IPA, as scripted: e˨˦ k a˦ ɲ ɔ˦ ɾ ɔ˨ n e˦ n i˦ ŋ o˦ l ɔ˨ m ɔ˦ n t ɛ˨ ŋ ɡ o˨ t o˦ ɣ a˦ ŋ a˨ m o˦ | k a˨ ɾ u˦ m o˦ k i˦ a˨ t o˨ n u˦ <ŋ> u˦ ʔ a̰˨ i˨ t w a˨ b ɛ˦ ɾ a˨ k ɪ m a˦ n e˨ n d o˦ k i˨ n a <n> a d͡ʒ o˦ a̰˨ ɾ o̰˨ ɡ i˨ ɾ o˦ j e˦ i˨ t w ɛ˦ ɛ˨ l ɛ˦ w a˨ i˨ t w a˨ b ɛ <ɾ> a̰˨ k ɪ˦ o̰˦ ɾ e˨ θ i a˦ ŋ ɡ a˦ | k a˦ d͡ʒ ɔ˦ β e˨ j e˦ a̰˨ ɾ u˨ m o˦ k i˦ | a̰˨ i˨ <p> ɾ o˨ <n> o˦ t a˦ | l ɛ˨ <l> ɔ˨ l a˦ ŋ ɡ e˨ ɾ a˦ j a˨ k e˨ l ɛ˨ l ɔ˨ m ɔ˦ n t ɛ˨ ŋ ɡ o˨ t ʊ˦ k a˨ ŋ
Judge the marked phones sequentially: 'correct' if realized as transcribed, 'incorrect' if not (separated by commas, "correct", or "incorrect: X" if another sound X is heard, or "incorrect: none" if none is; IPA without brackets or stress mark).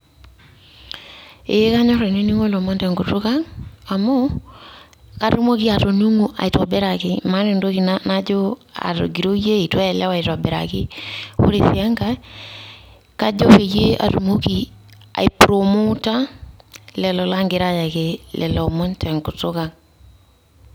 correct, correct, correct, correct, incorrect: m, correct